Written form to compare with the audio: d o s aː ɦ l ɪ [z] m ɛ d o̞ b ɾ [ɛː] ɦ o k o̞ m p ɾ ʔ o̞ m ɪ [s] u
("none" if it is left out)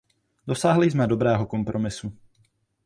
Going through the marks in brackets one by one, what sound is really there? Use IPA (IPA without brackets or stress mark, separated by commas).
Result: z, ɛː, s